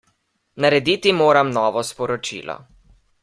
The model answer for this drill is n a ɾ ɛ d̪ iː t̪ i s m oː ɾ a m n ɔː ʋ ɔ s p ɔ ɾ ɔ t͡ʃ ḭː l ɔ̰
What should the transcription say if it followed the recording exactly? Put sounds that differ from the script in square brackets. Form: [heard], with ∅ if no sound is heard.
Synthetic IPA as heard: n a ɾ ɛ d̪ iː t̪ i [∅] m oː ɾ a m n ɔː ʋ ɔ s p ɔ ɾ ɔ t͡ʃ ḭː l ɔ̰